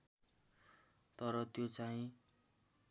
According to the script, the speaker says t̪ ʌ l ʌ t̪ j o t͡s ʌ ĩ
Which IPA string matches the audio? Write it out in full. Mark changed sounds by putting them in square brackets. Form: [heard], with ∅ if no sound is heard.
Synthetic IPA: t̪ ʌ [ɾ] ʌ t̪ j o t͡s [a] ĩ